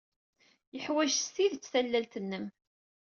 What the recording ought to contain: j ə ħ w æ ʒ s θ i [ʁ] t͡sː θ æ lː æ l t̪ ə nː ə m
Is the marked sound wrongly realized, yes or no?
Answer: yes